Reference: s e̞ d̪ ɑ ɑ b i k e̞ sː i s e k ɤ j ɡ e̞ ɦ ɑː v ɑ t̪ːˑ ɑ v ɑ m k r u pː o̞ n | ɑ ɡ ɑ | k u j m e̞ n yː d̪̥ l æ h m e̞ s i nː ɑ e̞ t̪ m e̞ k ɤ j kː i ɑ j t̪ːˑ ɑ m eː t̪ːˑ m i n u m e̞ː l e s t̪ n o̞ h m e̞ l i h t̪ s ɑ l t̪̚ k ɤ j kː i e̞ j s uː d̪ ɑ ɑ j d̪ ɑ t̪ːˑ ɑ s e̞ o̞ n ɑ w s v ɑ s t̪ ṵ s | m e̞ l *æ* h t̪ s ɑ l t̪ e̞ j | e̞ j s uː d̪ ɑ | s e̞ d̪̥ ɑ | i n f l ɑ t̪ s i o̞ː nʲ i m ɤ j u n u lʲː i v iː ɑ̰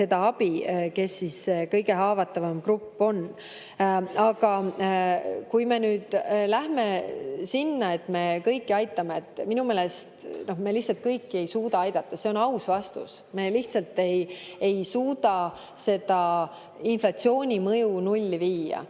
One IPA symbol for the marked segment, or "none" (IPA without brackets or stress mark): i